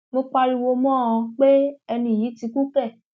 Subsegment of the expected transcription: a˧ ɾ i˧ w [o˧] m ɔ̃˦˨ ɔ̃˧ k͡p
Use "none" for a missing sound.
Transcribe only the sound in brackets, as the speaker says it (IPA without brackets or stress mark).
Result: o˧